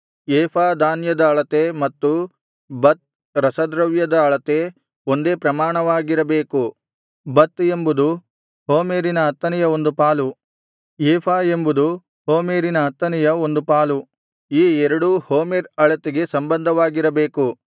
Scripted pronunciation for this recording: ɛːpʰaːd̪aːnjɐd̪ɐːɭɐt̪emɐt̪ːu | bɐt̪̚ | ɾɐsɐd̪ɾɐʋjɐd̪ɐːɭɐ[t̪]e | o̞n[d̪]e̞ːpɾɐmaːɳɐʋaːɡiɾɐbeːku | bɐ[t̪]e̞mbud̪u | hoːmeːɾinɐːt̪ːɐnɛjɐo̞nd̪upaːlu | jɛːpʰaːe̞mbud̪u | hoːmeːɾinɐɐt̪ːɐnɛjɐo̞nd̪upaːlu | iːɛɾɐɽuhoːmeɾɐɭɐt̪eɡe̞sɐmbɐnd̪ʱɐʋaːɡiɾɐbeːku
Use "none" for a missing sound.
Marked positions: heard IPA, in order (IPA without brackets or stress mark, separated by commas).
t̪, d̪, t̪